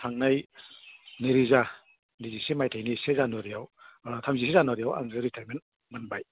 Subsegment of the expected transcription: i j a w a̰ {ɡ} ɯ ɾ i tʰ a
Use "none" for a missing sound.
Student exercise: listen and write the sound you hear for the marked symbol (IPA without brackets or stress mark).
ŋ